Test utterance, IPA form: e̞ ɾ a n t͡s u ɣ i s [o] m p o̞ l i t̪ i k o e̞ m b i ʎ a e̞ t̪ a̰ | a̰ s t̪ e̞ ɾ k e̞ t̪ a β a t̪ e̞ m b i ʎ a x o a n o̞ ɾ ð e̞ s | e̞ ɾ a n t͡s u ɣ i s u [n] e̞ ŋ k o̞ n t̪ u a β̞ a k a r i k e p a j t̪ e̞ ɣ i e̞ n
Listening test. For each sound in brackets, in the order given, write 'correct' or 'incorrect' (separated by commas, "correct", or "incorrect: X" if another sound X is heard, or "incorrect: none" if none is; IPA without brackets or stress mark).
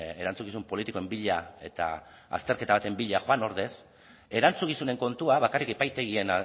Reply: incorrect: u, correct